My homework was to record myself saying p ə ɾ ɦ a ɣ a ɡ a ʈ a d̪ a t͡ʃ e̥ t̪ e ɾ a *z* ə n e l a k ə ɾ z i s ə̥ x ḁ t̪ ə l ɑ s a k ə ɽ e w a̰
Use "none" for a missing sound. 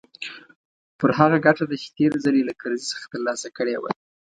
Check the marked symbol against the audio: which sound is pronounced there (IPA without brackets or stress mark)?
z